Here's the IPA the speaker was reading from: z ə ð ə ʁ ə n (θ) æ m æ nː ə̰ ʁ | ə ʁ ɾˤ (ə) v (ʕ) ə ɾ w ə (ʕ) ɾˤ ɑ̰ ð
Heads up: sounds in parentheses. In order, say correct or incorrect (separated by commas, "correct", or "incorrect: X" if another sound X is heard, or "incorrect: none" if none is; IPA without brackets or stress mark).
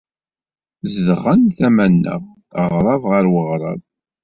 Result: correct, incorrect: ɑ, incorrect: ʁ, incorrect: ʁ